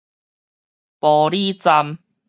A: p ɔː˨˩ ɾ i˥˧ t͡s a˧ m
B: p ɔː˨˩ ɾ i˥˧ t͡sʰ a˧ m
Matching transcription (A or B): A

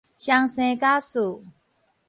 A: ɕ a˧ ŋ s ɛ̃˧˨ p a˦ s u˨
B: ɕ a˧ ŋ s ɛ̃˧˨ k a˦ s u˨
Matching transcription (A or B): B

